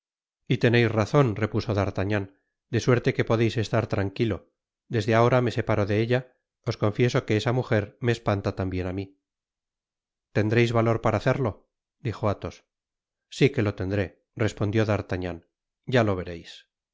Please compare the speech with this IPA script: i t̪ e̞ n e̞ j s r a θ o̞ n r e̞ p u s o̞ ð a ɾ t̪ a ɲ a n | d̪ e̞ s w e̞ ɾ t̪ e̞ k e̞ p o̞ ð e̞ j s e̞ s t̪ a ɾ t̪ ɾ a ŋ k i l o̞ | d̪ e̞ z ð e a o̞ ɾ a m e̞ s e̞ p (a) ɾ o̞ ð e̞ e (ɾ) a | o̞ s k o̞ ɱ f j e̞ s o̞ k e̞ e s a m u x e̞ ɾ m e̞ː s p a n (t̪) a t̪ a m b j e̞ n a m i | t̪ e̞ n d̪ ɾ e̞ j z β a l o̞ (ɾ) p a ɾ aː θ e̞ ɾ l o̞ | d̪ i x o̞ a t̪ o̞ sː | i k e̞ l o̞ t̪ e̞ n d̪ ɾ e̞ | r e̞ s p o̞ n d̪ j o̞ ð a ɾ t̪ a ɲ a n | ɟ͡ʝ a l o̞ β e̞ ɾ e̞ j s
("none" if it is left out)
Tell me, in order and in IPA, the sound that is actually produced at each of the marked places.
a, ʎ, t̪, ɾ

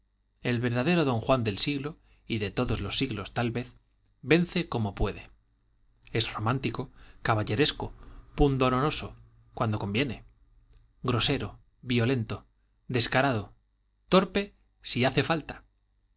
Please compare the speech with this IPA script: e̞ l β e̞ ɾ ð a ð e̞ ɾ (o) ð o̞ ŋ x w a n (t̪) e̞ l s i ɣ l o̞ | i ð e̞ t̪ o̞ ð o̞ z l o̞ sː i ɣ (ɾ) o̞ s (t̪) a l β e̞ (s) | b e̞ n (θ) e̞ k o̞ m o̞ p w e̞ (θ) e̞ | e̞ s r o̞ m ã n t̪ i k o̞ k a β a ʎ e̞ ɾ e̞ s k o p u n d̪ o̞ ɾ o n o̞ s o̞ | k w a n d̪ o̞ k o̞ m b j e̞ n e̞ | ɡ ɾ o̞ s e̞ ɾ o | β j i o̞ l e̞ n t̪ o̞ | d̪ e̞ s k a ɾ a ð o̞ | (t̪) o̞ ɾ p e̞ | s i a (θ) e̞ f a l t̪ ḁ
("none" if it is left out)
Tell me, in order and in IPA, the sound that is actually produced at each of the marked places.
o, d̪, l, t̪, θ, θ, ð, t̪, θ

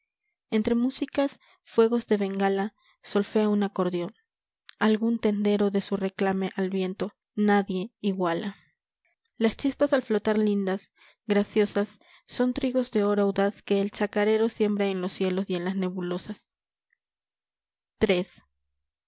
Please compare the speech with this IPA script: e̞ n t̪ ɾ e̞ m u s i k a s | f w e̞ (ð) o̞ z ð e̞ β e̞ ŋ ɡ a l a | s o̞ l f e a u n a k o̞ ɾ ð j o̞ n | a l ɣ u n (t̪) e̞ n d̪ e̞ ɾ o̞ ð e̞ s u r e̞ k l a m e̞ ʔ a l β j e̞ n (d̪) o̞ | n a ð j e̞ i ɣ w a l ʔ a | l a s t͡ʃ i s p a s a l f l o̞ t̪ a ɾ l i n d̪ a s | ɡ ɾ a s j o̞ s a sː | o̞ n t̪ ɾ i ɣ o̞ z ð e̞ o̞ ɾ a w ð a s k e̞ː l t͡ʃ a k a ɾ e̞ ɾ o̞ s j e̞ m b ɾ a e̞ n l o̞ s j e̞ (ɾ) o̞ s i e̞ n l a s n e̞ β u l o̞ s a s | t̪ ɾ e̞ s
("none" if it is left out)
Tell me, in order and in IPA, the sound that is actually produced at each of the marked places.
ɣ, t̪, t̪, l

